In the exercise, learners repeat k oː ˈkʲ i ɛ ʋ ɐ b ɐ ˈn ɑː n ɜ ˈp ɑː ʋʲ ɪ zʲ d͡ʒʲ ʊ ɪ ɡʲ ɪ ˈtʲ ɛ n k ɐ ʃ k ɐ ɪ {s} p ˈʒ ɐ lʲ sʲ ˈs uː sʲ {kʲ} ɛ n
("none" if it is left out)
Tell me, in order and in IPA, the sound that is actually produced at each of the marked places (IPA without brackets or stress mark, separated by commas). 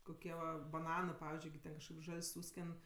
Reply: none, kʲ